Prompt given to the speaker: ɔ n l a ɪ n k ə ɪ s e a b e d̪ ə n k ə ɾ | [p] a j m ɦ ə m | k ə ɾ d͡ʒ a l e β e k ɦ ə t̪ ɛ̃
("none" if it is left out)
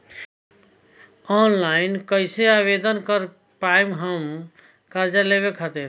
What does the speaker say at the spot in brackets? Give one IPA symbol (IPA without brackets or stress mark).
p